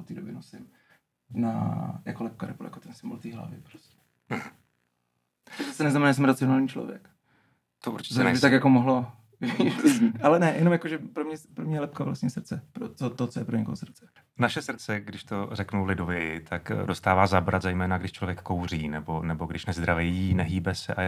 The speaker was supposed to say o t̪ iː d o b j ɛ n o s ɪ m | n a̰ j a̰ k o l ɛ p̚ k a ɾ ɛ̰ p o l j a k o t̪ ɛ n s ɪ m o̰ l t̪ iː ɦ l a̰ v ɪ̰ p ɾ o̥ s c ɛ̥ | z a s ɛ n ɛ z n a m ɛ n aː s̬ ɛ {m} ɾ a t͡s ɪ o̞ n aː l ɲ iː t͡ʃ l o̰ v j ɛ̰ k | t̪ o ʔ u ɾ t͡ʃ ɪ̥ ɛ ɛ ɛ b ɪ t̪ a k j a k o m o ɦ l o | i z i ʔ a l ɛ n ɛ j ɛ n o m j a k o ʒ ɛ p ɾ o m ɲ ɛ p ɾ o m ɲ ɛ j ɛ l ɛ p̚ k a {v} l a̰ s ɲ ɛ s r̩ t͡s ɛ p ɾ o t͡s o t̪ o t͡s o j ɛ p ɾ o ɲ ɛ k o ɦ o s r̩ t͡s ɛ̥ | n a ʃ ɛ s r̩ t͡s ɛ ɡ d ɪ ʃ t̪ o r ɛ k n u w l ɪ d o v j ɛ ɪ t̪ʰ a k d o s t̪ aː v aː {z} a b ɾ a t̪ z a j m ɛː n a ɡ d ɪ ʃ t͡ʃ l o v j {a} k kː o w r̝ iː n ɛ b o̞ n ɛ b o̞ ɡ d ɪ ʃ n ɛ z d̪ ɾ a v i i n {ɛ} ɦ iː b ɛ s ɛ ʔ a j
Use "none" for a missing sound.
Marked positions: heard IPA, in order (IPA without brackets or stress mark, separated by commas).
m, v, z, ɛ, ɛ